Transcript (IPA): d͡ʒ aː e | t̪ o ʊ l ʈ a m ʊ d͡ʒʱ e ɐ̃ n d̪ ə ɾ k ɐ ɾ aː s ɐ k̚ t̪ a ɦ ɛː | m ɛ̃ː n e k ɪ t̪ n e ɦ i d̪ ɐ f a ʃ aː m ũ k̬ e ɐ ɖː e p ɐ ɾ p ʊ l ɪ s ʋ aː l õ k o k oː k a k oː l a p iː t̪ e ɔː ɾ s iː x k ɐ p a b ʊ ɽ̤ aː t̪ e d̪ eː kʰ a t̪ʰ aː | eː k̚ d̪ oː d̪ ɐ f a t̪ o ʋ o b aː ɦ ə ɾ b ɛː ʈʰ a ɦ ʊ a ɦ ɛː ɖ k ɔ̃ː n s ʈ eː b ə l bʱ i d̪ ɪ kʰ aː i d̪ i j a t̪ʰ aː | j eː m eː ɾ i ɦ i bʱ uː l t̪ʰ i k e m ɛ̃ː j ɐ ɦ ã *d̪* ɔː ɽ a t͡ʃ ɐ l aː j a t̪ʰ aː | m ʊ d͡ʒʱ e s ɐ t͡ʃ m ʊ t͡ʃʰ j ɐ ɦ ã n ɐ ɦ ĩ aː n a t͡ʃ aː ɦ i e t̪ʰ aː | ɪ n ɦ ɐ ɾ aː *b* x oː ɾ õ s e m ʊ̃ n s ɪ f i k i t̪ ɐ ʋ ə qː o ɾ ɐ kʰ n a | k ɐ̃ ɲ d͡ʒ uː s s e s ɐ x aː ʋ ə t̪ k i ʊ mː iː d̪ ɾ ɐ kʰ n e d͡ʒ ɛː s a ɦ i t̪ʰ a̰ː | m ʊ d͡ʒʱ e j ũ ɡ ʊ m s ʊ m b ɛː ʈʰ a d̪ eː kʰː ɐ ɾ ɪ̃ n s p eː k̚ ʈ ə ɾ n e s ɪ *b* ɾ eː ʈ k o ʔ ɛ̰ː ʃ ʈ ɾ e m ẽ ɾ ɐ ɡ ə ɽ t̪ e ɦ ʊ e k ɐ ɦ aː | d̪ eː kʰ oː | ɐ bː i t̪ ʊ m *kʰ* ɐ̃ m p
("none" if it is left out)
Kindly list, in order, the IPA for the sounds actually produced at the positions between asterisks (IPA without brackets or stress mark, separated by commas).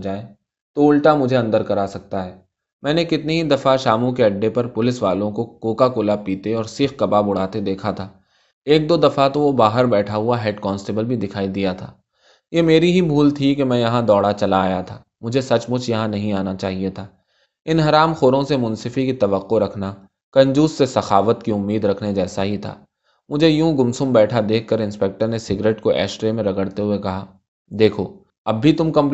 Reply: d̪, m, ɡ, k